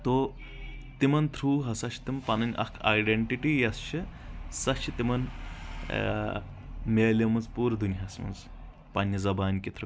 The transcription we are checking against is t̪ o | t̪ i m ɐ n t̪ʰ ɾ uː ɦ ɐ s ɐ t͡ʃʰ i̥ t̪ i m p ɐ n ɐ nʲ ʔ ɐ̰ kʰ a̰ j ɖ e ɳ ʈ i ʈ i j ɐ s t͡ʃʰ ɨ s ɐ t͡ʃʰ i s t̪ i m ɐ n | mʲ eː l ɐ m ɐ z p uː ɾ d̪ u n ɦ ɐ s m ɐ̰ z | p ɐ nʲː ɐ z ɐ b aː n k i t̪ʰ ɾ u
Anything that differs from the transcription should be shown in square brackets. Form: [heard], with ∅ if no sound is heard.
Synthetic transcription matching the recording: t̪ o | t̪ i m ɐ n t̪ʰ ɾ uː ɦ ɐ s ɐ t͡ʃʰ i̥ t̪ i m p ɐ n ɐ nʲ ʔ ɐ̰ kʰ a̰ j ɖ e ɳ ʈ i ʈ i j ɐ s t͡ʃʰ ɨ s ɐ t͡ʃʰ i [∅] t̪ i m ɐ n | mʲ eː l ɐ m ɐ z p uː ɾ d̪ u n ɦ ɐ s m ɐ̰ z | p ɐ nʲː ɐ z ɐ b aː n k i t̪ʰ ɾ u